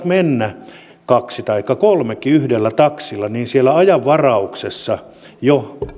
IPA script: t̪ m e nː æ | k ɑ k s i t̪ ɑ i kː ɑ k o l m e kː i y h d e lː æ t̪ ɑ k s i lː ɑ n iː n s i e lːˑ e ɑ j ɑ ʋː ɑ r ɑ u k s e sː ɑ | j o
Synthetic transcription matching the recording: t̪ m e nː æ | k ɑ k s i t̪ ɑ i kː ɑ k o l m e kː i y h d e lː æ t̪ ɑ k s i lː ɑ n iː n s i e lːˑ æ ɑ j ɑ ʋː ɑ r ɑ u k s e sː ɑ | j o